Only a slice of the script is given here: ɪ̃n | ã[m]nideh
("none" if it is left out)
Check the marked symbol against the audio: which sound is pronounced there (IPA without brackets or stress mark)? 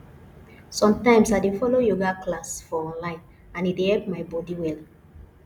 none